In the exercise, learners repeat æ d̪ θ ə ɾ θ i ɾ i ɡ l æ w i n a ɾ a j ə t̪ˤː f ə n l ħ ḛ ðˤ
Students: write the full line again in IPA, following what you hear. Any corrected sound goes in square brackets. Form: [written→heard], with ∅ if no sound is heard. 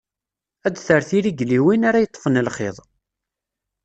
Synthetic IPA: æ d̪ θ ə ɾ θ i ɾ i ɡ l [æ→i] w i n a ɾ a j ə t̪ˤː f ə n l [ħ→χ] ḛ ðˤ